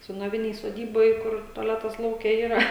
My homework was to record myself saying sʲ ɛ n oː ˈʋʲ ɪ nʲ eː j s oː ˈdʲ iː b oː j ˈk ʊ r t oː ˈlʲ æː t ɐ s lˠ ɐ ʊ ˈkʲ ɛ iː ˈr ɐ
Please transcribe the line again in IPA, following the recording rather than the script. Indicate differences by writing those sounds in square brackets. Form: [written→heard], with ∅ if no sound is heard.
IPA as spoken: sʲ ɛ n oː ˈʋʲ ɪ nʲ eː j s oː ˈdʲ iː b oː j ˈk ʊ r t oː ˈlʲ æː t ɐ s lˠ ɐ ʊ ˈkʲ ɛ iː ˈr ɐ

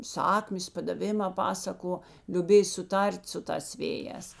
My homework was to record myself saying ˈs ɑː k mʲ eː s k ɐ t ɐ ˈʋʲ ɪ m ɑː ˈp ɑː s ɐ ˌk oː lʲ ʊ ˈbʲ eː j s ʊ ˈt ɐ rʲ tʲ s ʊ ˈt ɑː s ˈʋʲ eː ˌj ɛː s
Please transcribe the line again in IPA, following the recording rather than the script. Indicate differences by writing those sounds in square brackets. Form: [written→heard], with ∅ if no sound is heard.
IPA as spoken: ˈs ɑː k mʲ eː s [k→p] ɐ [t→d] ɐ ˈʋʲ ɪ m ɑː ˈp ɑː s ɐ ˌk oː lʲ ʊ ˈbʲ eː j s ʊ ˈt ɐ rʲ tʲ s ʊ ˈt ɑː s ˈʋʲ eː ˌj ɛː s

